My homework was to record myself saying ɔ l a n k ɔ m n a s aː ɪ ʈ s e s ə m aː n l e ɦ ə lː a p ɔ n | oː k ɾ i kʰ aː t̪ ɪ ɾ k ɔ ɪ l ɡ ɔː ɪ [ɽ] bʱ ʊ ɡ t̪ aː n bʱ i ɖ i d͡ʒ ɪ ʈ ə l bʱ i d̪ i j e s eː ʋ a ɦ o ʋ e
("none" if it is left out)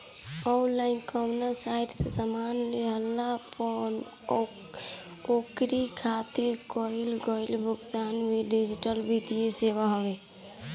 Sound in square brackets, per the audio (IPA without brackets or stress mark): l